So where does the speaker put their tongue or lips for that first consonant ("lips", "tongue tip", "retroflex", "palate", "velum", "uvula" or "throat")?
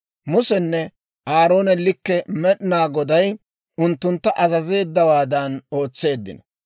lips